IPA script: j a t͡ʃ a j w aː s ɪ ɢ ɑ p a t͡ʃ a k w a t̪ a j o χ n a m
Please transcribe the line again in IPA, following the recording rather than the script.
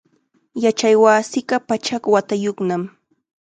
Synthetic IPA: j a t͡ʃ a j w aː s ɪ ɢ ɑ p a t͡ʃ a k w a t̪ a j o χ n a m